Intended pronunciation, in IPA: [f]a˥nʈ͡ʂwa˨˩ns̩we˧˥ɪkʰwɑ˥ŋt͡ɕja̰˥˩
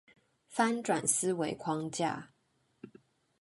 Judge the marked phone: correct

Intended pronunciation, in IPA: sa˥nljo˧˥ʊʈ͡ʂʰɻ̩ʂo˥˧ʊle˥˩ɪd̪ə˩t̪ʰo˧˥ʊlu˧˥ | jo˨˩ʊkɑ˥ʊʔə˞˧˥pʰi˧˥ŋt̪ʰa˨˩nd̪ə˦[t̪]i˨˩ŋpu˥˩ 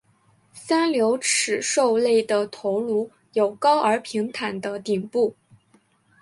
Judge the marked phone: correct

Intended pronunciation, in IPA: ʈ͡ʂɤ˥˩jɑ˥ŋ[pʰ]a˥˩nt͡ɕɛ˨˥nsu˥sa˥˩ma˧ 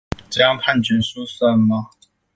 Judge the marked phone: correct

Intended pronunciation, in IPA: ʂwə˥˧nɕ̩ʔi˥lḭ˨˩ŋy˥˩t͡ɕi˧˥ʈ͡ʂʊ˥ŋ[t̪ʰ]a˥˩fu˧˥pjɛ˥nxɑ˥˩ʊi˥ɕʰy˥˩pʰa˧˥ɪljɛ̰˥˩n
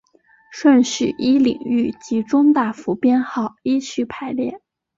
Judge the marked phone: incorrect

